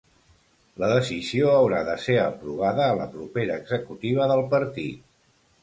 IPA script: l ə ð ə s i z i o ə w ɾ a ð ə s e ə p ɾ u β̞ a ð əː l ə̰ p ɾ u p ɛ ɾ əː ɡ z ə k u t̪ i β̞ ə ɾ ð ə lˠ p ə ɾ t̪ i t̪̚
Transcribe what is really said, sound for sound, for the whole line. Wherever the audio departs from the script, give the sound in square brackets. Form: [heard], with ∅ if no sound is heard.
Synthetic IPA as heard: l ə ð ə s i z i o ə w ɾ a ð ə s e ə p ɾ u β̞ a ð əː l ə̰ p ɾ u p [e] ɾ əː ɡ z ə k u t̪ i β̞ ə [∅] ð ə lˠ p ə ɾ t̪ i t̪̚